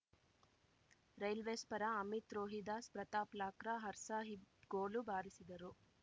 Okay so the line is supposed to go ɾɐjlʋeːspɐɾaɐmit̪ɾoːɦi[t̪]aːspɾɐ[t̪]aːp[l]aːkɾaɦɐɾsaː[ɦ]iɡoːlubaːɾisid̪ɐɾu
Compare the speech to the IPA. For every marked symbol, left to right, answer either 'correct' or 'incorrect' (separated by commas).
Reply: incorrect, correct, correct, correct